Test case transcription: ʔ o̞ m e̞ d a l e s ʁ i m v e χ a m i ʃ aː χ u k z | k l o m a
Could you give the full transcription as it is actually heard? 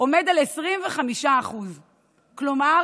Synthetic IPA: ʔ o̞ m e̞ d a l e s ʁ i m v e χ a m i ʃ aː χ u z | k l o m a